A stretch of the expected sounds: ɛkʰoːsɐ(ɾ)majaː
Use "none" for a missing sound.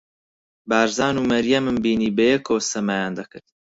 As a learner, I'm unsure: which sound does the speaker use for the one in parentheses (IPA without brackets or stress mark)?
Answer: none